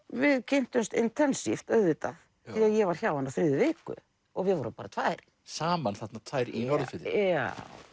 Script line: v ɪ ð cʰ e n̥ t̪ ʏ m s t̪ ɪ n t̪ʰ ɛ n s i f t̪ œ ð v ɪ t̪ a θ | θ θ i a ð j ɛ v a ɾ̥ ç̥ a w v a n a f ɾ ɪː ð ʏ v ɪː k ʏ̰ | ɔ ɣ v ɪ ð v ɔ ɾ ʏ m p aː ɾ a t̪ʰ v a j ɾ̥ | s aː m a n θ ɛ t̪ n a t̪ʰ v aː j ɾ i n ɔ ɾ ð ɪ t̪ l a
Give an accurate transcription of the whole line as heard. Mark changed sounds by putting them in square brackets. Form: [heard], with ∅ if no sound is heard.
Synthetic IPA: v ɪ ð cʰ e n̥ t̪ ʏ m s t̪ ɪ n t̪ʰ ɛ n s i f t̪ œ ð v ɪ t̪ a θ | θ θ i a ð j ɛ v a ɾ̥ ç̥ a w v a n a f ɾ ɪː ð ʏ v ɪː k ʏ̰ | ɔ ɣ v ɪ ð v ɔ ɾ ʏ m p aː ɾ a t̪ʰ v a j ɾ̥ | s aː m a n θ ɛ t̪ n a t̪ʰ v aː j ɾ i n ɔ ɾ ð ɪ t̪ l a